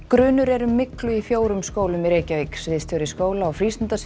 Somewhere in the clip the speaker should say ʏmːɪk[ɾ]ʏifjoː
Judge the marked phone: incorrect: l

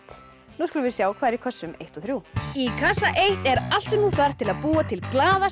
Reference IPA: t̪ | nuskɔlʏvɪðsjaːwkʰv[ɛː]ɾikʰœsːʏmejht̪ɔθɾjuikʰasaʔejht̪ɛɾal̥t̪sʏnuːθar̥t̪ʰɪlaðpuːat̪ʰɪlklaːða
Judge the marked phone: incorrect: aː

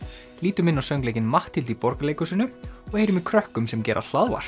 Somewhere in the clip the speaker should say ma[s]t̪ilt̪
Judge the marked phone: incorrect: h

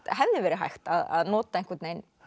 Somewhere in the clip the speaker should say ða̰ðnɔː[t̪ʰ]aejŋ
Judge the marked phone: incorrect: t̪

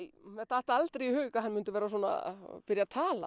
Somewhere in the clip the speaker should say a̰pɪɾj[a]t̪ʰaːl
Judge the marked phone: correct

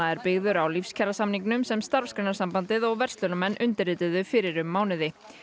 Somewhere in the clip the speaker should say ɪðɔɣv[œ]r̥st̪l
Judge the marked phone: incorrect: ɛ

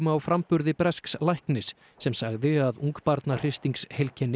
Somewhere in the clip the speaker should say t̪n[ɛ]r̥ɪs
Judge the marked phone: incorrect: a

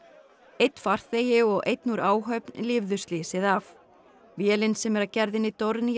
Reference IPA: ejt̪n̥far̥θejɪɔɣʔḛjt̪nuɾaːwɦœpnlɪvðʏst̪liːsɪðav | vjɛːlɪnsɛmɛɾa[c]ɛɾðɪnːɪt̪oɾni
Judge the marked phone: correct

